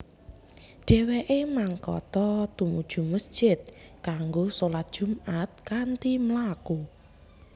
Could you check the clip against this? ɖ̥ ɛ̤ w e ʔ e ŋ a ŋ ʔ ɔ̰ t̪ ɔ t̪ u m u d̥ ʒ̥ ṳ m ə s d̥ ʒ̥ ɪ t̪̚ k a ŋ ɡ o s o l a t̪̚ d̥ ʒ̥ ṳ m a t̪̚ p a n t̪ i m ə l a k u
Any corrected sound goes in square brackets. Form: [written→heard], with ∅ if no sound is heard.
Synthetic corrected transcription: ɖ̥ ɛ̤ w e ʔ e [ŋ→m] a ŋ [ʔ→k] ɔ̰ t̪ ɔ t̪ u m u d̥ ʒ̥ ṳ m ə s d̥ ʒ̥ ɪ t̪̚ k a ŋ ɡ o s o l a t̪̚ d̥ ʒ̥ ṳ m a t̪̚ [p→k] a n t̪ i m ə l a k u